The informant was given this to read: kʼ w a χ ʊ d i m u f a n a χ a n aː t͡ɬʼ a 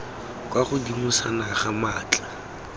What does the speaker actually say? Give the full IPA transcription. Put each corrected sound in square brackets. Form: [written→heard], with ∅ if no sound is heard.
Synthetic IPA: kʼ w a χ ʊ d i m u [f→s] a n a χ a [n→m] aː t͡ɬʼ a